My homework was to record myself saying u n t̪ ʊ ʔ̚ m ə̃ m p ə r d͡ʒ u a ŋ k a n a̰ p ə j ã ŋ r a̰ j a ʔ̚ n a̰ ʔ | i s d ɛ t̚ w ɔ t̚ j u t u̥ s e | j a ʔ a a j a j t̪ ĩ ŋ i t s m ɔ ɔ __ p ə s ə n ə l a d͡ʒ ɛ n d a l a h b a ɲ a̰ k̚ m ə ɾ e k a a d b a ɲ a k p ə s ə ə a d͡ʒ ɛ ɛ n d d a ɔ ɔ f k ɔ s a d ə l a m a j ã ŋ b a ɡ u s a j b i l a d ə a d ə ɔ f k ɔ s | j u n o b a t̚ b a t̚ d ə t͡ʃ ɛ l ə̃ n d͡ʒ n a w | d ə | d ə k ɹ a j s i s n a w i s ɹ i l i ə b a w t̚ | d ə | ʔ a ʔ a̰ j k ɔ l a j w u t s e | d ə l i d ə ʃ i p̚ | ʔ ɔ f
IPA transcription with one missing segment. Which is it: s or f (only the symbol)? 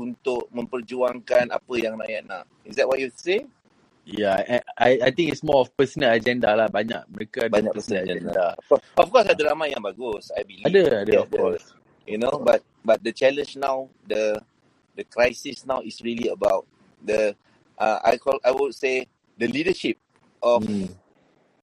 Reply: f